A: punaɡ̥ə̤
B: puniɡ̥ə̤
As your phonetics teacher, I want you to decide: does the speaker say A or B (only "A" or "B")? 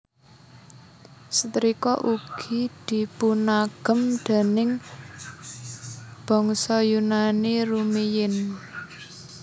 A